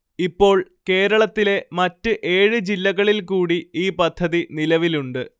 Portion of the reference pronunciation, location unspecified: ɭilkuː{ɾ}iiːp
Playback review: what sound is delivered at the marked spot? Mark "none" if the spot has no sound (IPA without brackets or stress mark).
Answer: ɽ